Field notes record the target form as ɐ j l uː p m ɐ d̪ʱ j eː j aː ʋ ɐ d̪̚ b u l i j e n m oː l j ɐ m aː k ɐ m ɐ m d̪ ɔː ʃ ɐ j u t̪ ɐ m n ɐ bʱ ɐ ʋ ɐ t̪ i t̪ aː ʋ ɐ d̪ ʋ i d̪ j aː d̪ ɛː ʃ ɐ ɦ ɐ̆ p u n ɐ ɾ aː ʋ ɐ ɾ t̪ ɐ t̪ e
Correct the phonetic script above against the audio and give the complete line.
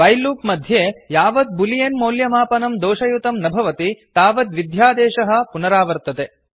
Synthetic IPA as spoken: ɐ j l uː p m ɐ d̪ʱ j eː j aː ʋ ɐ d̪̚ b u l i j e n m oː l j ɐ m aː p ɐ n ɐ m d̪ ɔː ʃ ɐ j u t̪ ɐ m n ɐ bʱ ɐ ʋ ɐ t̪ i t̪ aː ʋ ɐ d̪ ʋ i d̪ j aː d̪ ɛː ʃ ɐ ɦ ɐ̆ p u n ɐ ɾ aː ʋ ɐ ɾ t̪ ɐ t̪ e